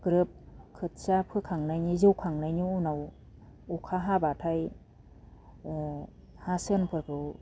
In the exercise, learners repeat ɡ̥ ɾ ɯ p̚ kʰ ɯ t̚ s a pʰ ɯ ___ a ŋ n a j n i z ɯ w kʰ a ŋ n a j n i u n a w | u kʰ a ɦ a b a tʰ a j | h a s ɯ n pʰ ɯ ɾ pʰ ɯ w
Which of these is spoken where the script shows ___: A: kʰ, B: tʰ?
A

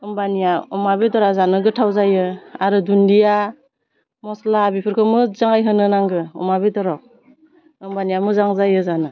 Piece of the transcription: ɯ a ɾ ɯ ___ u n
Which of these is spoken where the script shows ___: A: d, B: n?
A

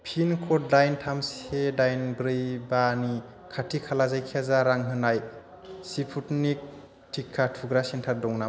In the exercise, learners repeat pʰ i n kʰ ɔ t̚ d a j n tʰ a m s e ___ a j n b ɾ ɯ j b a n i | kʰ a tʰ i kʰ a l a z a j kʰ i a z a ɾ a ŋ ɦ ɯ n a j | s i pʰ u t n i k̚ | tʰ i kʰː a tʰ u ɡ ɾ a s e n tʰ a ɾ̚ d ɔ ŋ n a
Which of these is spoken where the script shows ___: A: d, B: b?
A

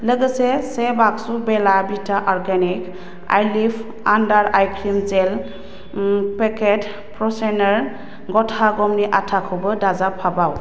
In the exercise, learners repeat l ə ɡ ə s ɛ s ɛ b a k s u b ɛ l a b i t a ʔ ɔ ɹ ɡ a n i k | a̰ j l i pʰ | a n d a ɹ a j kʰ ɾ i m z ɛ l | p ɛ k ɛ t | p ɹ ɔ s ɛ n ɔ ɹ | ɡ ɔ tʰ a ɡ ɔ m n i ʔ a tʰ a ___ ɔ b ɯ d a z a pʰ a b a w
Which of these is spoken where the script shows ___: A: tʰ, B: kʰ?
B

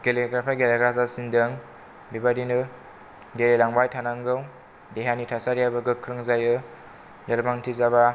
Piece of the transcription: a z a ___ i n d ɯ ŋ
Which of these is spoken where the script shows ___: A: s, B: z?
A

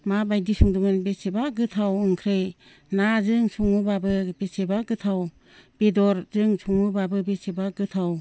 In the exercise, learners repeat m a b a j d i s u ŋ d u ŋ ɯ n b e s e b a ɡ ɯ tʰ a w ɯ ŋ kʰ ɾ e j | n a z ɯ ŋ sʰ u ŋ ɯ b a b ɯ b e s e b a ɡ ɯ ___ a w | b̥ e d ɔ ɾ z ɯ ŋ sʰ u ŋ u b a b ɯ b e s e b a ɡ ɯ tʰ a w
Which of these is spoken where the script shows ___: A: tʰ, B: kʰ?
A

